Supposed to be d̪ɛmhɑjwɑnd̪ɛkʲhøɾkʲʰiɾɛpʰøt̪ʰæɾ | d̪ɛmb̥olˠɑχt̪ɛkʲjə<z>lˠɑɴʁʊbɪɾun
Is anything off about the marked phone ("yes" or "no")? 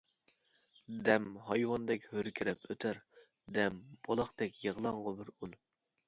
yes